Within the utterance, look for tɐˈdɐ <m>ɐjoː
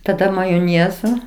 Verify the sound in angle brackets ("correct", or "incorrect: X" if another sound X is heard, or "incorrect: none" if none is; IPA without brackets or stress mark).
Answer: correct